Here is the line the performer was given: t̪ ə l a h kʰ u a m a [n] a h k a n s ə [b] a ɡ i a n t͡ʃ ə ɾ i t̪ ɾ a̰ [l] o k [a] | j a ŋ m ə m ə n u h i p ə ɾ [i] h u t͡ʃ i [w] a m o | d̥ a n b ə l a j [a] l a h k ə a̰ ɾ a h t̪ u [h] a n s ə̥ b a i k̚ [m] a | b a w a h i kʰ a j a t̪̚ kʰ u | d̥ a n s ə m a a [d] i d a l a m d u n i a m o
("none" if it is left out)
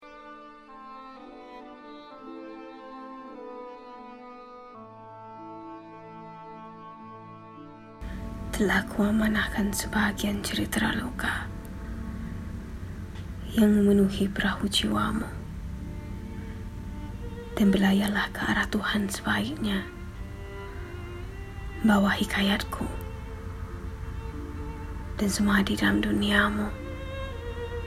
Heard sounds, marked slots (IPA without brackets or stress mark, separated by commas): n, b, l, a, a, w, a, h, ɲ, d